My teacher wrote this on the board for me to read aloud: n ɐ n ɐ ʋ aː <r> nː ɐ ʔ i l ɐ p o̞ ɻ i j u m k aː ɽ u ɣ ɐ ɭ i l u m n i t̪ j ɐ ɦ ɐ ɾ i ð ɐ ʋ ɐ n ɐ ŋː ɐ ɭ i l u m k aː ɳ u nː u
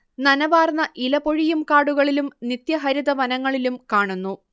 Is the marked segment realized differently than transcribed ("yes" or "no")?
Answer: no